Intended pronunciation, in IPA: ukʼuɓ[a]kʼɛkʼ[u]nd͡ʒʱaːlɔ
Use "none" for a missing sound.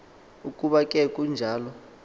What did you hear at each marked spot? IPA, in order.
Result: a, u

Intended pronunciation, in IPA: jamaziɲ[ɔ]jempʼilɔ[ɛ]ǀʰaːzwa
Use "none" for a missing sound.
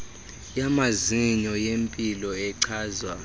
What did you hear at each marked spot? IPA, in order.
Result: ɔ, ɛ

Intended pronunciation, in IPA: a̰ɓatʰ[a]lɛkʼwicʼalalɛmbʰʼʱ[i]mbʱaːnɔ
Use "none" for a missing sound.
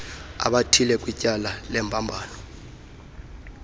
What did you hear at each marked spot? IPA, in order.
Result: i, a

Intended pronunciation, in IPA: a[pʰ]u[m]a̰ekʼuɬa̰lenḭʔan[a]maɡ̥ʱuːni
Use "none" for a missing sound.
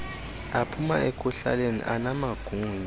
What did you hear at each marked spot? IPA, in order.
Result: pʰ, m, a

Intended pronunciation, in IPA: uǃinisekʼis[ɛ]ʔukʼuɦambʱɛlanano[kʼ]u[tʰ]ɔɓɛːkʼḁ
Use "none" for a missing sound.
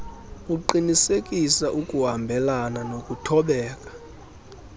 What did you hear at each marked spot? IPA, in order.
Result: a, kʼ, tʰ

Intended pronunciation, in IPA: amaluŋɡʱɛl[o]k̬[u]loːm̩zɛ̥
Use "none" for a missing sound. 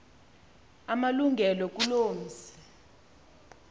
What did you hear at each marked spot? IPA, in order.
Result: ɔ, u

